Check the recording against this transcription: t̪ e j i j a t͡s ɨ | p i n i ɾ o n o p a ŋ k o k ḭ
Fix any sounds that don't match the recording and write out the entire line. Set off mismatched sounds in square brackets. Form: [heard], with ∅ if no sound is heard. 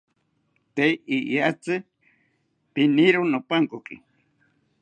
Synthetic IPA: t̪ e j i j a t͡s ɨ | p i n i ɾ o n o p a ŋ k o k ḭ